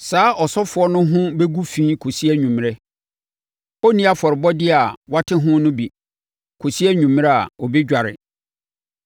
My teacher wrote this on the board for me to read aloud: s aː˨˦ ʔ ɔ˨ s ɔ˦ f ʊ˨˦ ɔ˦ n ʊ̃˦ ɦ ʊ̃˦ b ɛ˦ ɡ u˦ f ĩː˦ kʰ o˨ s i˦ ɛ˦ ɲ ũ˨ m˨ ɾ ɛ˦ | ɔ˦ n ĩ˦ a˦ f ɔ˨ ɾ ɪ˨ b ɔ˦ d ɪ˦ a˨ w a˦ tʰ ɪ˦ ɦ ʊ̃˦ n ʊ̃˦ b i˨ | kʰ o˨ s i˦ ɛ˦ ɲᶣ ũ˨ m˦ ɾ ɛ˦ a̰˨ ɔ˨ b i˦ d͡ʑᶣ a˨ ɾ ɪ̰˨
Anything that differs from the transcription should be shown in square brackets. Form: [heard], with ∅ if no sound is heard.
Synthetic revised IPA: s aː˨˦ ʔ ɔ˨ s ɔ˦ f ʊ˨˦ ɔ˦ n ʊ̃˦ ɦ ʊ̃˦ b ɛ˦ ɡ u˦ f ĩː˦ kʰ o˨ s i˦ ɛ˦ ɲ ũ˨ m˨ ɾ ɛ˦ | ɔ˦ n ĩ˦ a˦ f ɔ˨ ɾ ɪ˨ b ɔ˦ d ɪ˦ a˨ w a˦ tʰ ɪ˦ ɦ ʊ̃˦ n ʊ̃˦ b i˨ | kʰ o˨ s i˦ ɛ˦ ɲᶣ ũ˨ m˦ ɾ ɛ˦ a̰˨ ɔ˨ b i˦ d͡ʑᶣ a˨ ɾ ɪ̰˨